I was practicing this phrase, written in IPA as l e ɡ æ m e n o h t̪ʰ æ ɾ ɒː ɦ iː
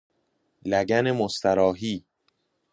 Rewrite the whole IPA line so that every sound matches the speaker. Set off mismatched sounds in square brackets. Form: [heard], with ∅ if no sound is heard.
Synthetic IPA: l [æ] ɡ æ [n] e [m] o [s] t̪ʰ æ ɾ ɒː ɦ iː